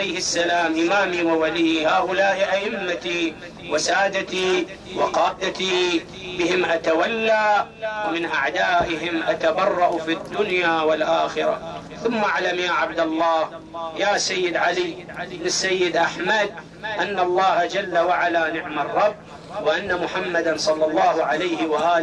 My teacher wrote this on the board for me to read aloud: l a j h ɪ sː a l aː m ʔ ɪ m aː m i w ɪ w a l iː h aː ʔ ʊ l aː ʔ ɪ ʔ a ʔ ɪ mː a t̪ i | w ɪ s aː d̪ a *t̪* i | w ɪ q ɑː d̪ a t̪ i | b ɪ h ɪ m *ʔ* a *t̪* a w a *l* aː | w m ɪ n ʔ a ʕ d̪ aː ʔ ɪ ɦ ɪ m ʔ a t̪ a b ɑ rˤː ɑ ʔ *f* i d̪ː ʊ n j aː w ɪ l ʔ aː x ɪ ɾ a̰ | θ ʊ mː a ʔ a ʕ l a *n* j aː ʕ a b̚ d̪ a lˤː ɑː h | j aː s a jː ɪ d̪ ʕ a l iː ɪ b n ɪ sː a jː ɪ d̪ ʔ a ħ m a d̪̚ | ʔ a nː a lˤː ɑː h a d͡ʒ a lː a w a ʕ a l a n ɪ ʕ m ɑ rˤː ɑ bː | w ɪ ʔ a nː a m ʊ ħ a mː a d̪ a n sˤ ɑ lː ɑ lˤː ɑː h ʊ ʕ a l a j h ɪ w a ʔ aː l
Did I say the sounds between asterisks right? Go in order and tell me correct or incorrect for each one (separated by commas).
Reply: correct, correct, correct, incorrect, correct, incorrect